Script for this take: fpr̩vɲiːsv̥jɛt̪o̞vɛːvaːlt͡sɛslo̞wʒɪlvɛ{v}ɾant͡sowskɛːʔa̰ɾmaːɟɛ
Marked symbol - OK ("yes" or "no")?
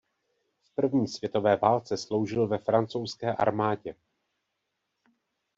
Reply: no